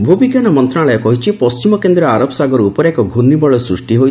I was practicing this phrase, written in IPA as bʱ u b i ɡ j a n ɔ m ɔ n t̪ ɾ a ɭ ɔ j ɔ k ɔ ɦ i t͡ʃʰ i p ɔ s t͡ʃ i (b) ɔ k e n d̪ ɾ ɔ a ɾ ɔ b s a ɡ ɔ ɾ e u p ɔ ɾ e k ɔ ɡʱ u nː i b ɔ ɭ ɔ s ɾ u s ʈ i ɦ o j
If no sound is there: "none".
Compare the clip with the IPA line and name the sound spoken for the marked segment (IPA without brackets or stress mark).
m